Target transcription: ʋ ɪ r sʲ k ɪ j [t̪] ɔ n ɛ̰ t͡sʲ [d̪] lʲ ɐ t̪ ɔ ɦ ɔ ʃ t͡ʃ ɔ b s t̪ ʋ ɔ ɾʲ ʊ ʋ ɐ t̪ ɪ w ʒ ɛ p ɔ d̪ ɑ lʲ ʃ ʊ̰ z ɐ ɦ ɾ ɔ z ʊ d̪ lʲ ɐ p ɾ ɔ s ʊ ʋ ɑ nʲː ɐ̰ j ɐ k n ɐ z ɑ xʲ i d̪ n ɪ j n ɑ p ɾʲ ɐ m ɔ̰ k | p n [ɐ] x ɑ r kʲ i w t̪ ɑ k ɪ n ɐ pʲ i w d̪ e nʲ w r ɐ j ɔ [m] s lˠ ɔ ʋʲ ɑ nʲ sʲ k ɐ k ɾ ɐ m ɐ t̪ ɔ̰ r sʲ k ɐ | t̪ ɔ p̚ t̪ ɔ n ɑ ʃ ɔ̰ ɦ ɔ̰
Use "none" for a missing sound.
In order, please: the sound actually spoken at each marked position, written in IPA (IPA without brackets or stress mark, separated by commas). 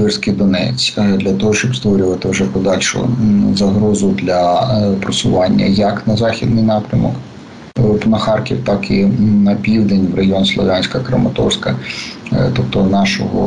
d̪, d̪, ɐ, n